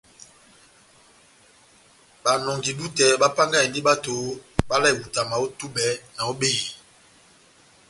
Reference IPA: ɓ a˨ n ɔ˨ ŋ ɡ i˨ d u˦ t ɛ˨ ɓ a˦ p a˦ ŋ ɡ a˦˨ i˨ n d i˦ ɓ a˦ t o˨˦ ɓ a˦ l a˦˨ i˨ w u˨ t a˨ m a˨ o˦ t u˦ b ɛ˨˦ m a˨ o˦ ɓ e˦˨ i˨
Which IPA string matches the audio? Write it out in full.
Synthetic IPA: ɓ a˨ n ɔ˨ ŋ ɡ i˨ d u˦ t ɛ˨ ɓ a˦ p a˦ ŋ ɡ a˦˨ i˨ n d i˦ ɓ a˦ t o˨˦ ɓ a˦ l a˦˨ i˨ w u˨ t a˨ m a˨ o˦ t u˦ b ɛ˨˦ n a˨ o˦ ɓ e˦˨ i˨